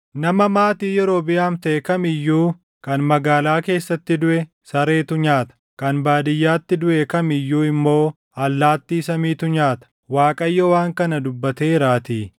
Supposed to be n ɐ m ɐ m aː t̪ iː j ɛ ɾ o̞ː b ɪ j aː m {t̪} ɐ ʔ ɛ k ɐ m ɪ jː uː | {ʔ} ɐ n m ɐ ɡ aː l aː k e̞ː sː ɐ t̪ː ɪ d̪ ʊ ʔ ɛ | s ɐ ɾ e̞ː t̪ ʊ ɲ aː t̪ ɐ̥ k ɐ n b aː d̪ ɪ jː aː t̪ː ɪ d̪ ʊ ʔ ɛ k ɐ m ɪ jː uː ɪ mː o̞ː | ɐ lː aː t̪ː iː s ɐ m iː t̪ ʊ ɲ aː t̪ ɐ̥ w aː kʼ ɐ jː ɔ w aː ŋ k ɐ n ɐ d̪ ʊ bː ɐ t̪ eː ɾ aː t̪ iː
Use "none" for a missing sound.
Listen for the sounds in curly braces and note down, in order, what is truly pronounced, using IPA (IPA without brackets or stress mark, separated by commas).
t̪, k